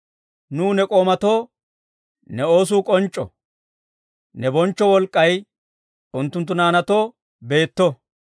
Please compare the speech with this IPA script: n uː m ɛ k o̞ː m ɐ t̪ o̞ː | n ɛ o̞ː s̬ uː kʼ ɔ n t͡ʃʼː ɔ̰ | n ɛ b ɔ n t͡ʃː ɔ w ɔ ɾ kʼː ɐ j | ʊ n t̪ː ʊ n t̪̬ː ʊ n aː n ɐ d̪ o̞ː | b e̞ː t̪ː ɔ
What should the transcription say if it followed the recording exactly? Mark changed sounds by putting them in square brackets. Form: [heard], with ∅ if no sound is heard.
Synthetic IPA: n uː [n] ɛ [kʼ] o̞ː m ɐ t̪ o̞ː | n ɛ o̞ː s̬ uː kʼ ɔ n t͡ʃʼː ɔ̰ | n ɛ b ɔ n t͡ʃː ɔ w ɔ [l] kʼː ɐ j | ʊ n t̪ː ʊ n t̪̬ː ʊ n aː n ɐ [t̪] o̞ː | b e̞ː t̪ː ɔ